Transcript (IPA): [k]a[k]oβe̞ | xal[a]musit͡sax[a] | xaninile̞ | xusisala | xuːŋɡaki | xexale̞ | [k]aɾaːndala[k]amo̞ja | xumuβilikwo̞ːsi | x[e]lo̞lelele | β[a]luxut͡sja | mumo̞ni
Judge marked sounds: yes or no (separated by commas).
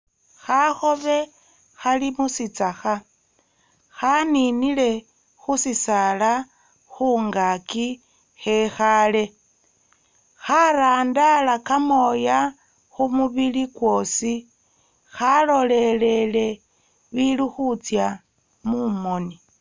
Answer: no, no, no, yes, no, yes, no, no